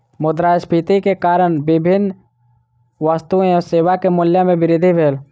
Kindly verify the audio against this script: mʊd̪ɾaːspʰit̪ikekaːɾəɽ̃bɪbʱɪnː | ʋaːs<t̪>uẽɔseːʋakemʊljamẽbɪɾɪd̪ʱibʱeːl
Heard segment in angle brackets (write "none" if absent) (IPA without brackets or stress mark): t̪